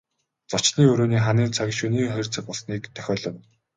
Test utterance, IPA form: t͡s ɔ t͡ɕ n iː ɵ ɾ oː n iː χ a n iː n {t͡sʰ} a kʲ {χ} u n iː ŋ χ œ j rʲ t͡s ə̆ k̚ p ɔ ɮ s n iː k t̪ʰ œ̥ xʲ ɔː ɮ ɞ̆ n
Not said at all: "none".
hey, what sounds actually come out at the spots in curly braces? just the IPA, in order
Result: t͡sʰ, ʃ

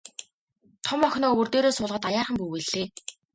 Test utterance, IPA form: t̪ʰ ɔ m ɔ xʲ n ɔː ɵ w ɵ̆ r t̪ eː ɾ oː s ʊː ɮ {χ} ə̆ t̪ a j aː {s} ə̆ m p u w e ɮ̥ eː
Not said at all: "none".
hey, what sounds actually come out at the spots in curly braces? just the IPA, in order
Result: ʁ, χ

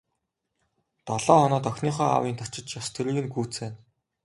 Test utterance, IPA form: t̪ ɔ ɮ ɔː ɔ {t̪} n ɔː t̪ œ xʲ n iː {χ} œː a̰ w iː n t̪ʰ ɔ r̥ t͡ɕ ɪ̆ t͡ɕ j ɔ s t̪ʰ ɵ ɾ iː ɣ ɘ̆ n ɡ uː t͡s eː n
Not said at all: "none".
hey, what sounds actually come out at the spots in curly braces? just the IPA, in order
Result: none, χ

